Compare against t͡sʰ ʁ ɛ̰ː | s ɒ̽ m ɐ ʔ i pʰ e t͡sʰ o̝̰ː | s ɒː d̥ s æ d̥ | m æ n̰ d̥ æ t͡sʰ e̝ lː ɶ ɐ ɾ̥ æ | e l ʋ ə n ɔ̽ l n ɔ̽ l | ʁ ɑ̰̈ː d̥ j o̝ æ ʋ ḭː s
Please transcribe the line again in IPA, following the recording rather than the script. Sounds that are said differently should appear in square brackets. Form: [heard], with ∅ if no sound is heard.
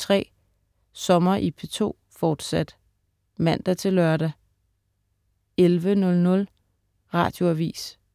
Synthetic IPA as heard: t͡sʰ ʁ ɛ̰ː | s ɒ̽ m ɐ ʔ i pʰ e t͡sʰ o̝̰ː | [f] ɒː d̥ s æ d̥ | m æ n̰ d̥ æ t͡sʰ e̝ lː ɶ ɐ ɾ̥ æ | e l ʋ ə n ɔ̽ l n ɔ̽ l | ʁ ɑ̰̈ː d̥ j o̝ æ ʋ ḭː s